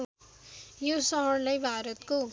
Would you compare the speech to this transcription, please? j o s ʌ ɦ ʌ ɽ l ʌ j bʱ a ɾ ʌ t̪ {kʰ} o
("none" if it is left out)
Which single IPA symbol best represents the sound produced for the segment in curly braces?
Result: k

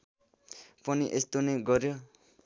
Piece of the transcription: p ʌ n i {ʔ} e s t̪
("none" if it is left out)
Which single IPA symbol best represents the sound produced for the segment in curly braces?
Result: ʔ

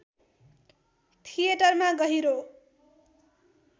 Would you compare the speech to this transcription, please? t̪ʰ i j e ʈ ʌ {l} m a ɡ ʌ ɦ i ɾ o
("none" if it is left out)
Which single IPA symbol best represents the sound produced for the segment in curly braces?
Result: r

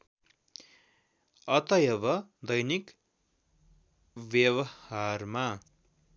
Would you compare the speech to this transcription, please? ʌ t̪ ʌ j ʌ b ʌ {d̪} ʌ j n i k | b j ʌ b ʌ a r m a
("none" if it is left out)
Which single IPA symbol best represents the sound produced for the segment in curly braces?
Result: d̪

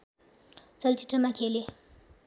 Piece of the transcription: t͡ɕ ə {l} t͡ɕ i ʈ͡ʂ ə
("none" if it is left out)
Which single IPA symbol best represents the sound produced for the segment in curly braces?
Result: l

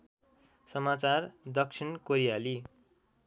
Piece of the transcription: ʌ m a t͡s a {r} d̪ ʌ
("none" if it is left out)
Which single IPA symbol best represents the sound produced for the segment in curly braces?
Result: r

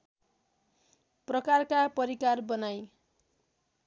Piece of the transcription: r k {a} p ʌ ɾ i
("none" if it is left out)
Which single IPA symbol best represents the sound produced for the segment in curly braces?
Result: a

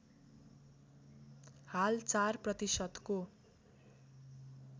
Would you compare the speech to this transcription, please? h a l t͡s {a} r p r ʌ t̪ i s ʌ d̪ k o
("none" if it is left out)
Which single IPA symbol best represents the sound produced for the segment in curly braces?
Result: a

